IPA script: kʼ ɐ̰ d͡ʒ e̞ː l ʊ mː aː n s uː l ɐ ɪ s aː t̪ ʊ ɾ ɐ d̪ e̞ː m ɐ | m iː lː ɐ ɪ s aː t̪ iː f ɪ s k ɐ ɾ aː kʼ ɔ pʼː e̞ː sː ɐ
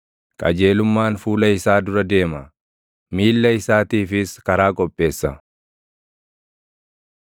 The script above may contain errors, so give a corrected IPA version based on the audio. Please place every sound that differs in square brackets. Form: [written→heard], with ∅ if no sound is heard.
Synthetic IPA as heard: kʼ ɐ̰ d͡ʒ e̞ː l ʊ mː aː n [s→f] uː l ɐ ɪ s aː [t̪→d̪] ʊ ɾ ɐ d̪ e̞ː m ɐ | m iː lː ɐ ɪ s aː t̪ iː f ɪ s k ɐ ɾ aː kʼ ɔ pʼː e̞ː sː ɐ